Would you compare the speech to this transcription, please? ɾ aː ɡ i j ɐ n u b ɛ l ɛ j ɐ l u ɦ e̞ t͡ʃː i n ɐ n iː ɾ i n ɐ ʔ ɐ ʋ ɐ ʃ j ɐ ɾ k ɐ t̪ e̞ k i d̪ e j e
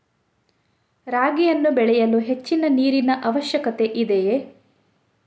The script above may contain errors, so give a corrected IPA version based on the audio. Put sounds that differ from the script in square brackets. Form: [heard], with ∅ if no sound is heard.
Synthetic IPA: ɾ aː ɡ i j ɐ [nː] u b ɛ [ɭ] ɛ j ɐ l u ɦ e̞ t͡ʃː i n ɐ n iː ɾ i n ɐ ʔ ɐ ʋ ɐ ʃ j ɐ [∅] k ɐ t̪ e̞ [ʔ] i d̪ e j e